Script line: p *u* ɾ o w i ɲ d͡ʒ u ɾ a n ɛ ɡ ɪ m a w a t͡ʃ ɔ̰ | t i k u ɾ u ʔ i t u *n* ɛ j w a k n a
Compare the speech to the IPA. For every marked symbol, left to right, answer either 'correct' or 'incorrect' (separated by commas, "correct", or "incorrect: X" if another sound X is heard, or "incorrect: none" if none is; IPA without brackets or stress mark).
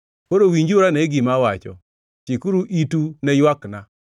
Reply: incorrect: o, correct